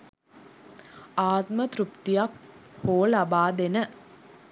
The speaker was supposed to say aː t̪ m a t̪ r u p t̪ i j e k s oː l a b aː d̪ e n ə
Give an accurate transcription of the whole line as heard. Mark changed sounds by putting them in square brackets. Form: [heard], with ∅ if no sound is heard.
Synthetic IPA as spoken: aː t̪ m [ə] t̪ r u p t̪ i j [a] k [h] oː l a b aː d̪ e n ə